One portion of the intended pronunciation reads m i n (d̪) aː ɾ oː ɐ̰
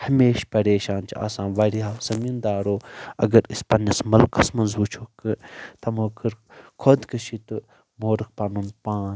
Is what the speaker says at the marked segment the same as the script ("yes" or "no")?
yes